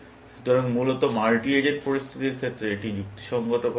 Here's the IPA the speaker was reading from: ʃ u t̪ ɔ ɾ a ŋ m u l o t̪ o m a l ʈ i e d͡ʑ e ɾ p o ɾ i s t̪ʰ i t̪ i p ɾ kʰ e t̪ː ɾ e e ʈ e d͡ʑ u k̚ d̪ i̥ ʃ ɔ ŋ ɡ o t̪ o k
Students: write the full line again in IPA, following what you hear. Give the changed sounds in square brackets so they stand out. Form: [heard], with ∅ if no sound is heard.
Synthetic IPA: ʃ u t̪ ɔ ɾ a ŋ m u l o t̪ o m a l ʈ i e d͡ʑ e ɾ p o ɾ i s t̪ʰ i t̪ i [∅] ɾ kʰ e t̪ː ɾ e e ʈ [i] d͡ʑ u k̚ [t̪] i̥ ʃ ɔ ŋ ɡ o t̪ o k

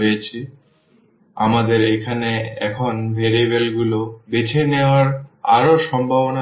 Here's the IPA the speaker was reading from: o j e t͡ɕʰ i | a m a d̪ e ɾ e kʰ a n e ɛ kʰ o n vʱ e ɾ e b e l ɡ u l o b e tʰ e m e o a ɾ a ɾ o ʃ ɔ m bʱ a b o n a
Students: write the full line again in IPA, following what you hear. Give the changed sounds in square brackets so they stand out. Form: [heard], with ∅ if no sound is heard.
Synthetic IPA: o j e t͡ɕʰ i | a m a d̪ e ɾ e kʰ a n e ɛ kʰ o n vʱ e ɾ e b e l ɡ u l o b e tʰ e [n] e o a ɾ a ɾ o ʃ ɔ m bʱ a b o n a

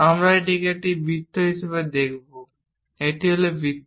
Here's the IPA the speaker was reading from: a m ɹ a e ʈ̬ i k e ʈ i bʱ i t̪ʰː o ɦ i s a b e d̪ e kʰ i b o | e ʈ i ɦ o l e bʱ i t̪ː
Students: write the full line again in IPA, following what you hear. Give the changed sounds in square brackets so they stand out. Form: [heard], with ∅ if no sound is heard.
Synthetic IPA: a m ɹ a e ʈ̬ i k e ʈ i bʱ i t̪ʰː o ɦ i s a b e d̪ e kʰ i b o | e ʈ i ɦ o l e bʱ i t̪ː

